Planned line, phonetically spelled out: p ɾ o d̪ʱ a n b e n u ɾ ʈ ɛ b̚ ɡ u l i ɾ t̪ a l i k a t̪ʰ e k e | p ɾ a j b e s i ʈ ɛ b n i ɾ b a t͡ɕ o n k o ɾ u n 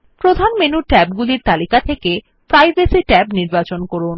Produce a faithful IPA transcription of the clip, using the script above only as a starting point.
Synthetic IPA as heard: p ɾ o d̪ʱ a n m e n u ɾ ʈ ɛ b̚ ɡ u l i ɾ t̪ a l i k a t̪ʰ e k e | p ɾ a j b e s i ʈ ɛ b n i ɾ b a t͡ɕ o n k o ɾ u n